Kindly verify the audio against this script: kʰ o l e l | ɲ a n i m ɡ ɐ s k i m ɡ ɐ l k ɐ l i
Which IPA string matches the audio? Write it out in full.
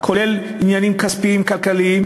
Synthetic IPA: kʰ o l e l | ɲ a n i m k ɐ s p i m k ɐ l k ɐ l i